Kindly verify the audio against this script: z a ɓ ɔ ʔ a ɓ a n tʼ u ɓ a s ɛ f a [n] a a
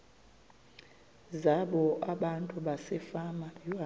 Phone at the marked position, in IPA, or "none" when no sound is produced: m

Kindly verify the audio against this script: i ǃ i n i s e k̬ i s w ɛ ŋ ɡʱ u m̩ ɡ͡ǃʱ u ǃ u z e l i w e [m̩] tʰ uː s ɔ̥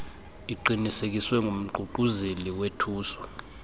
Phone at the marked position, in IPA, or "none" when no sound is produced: none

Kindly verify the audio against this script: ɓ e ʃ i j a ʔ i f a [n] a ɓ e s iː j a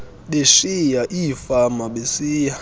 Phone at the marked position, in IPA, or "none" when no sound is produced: m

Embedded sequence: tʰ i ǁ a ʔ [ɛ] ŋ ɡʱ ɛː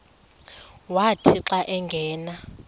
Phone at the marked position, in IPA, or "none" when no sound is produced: ɛ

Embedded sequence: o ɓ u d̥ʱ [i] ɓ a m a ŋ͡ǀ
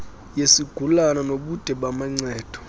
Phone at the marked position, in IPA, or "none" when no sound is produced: ɛ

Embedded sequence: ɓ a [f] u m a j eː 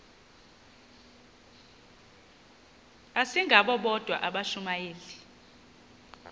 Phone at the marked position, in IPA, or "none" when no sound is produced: ʃ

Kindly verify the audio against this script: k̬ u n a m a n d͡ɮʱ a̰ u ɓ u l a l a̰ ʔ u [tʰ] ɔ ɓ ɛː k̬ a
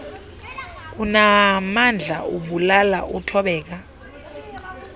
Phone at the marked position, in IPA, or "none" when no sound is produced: tʰ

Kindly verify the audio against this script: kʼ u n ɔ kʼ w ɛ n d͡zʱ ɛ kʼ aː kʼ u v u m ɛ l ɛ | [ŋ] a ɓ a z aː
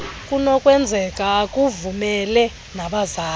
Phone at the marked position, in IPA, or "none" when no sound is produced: n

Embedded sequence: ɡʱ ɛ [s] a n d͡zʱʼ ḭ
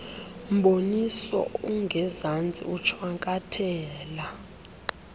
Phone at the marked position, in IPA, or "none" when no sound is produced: z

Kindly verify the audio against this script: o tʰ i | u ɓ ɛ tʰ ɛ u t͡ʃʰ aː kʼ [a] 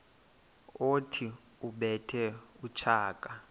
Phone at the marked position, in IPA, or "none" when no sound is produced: a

